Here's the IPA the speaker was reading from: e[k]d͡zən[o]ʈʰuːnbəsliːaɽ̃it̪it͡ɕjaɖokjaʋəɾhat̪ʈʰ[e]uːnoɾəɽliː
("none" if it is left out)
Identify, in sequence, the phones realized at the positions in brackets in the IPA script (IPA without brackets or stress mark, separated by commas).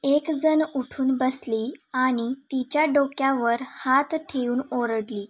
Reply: k, u, e